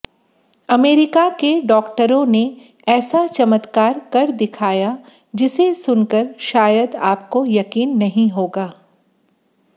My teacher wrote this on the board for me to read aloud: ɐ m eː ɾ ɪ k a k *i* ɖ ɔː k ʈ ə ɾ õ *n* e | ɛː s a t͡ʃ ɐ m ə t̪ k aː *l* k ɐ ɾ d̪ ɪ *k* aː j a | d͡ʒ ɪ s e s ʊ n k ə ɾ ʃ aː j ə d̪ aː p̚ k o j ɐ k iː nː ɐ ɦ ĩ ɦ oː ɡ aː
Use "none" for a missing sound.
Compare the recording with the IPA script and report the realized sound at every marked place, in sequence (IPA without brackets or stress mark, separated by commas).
e, n, ɾ, kʰ